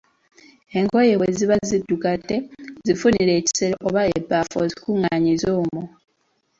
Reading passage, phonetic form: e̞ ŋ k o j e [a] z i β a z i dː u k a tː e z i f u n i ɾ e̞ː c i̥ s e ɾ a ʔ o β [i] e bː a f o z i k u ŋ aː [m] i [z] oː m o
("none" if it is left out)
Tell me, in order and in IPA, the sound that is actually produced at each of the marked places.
e, a, ɲ, z

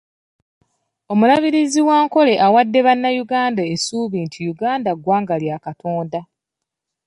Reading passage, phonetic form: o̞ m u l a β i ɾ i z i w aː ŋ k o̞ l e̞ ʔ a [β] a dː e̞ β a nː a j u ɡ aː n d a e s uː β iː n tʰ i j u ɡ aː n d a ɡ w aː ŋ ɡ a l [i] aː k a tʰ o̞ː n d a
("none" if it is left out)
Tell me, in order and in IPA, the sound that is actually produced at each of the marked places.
w, j

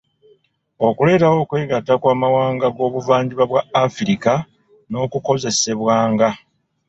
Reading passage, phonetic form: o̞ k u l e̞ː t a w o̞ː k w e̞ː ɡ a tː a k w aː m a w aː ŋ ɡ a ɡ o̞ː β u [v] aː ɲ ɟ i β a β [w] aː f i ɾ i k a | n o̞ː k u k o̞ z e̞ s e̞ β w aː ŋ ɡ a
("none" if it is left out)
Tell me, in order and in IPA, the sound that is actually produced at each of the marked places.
v, w

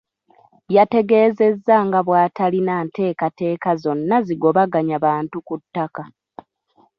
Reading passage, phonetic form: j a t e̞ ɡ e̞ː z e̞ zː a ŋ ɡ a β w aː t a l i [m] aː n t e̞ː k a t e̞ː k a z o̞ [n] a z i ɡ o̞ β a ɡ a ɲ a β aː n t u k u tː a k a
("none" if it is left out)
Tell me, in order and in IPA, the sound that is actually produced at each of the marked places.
n, nː

